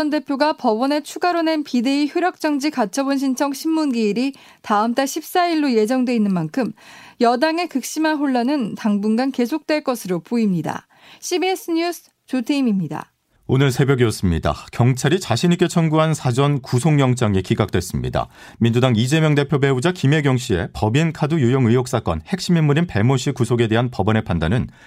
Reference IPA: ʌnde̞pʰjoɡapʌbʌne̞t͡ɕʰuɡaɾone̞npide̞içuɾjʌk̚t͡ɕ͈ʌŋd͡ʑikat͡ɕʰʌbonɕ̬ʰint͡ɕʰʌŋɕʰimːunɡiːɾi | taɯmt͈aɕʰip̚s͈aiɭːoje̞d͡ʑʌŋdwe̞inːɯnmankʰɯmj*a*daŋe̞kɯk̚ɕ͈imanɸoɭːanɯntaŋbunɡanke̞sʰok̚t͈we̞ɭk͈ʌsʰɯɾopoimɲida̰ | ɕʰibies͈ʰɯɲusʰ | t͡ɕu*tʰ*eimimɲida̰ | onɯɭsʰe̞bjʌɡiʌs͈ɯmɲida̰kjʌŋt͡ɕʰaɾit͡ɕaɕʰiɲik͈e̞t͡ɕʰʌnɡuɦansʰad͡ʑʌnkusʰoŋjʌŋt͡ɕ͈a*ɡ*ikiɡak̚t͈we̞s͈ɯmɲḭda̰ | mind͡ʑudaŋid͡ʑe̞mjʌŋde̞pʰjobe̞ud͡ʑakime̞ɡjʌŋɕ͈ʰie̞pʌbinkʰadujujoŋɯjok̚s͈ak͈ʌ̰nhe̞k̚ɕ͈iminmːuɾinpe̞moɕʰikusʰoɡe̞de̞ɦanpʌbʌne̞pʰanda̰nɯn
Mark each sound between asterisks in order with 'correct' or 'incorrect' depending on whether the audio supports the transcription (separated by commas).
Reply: incorrect, correct, incorrect